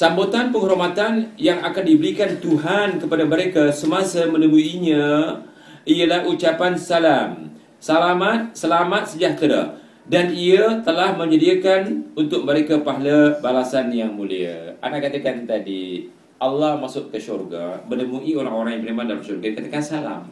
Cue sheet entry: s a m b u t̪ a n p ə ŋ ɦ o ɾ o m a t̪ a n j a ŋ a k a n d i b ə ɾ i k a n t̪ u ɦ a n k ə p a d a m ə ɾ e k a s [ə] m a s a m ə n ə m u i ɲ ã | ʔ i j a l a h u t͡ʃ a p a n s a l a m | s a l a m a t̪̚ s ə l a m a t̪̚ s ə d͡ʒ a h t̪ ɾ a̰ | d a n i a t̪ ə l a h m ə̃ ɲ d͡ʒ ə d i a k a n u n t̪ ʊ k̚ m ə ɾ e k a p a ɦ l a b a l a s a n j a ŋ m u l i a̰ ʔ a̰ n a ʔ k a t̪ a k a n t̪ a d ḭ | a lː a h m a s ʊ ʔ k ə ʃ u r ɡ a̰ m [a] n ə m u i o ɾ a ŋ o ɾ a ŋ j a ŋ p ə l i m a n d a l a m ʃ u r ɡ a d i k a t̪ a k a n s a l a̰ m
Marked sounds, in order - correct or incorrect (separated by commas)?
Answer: correct, incorrect